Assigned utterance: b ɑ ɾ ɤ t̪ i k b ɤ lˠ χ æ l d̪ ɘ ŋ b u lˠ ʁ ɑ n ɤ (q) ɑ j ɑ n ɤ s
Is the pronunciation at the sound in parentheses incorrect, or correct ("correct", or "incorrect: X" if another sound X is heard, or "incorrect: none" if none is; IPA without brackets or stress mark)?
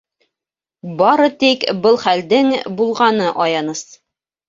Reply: incorrect: ʔ